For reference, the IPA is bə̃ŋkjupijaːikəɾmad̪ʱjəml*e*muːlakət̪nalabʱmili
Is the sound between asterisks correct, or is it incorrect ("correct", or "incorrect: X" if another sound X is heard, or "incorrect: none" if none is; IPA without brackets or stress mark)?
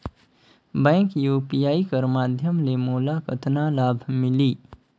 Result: correct